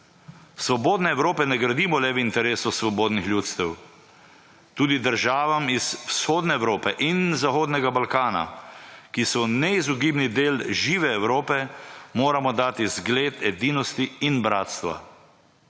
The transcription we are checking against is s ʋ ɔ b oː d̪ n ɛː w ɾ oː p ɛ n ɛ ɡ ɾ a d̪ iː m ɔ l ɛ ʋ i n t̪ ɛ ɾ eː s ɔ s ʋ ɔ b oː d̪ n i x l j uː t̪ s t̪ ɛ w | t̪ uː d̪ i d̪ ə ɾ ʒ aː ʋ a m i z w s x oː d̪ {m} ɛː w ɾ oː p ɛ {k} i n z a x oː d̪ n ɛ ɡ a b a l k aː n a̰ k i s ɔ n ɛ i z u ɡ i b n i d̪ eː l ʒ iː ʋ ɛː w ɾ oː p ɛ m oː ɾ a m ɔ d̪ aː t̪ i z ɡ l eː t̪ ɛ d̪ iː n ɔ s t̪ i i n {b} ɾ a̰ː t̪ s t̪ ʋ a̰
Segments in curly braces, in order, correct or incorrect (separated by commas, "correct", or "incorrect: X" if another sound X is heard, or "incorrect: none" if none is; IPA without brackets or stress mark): incorrect: n, incorrect: ʔ, correct